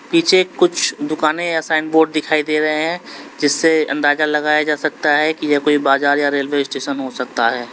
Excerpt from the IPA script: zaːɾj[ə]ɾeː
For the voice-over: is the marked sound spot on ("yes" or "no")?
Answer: no